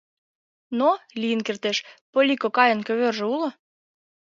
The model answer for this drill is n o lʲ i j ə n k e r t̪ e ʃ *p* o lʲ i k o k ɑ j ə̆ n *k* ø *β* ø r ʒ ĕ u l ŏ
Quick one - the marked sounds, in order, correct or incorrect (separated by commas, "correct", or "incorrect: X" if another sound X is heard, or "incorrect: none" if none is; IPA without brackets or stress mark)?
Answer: correct, correct, correct